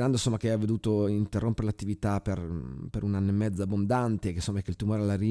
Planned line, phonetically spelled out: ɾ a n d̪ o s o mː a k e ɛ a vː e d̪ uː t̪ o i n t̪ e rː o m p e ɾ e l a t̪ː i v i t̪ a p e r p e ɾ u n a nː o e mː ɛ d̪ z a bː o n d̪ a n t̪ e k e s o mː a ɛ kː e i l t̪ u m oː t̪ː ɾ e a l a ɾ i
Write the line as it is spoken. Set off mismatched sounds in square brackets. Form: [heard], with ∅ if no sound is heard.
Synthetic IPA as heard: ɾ a n d̪ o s o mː a k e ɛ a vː e d̪ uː t̪ o i n t̪ e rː o m p e ɾ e l a t̪ː i v i t̪ a p e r p e ɾ u n a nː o e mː ɛ d̪ z a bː o n d̪ a n t̪ e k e s o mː a ɛ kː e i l t̪ u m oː [∅] ɾ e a l a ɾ i